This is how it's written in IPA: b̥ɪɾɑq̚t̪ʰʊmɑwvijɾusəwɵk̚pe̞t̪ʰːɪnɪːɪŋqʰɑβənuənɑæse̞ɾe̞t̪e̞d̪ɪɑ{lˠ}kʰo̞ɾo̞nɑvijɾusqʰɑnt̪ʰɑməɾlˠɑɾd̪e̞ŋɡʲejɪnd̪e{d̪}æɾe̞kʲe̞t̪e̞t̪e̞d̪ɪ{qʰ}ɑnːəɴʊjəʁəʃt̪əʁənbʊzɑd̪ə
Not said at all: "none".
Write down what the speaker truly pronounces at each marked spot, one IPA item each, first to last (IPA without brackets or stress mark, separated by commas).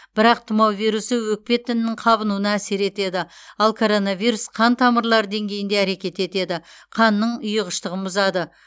lˠ, none, qʰ